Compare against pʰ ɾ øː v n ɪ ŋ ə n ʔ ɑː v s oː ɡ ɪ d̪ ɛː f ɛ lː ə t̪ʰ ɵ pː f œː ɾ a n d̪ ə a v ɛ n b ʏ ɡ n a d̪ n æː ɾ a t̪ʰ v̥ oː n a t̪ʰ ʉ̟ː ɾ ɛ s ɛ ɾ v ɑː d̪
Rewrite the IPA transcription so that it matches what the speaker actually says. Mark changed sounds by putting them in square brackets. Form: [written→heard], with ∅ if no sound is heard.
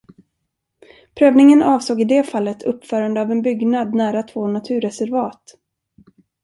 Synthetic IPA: pʰ ɾ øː v n ɪ ŋ ə n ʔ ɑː v s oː ɡ ɪ d̪ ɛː f [ɛ→a] lː ə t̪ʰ ɵ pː f œː ɾ a n d̪ ə a v ɛ n b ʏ ɡ n a d̪ n æː ɾ a t̪ʰ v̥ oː n a t̪ʰ ʉ̟ː ɾ ɛ s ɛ ɾ v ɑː [d̪→t̪]